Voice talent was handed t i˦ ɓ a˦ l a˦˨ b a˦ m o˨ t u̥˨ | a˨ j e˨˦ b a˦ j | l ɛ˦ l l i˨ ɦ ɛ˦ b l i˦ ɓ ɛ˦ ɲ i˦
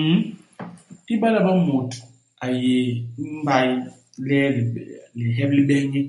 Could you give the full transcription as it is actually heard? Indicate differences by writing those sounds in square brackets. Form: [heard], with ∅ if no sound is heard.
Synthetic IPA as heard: t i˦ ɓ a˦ l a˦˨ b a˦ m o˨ t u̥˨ | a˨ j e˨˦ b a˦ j | l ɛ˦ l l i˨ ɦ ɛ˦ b l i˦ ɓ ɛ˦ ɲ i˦